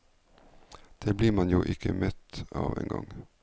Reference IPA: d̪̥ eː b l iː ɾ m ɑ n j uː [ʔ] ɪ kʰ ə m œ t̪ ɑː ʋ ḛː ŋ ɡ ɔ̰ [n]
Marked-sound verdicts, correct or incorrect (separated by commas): correct, incorrect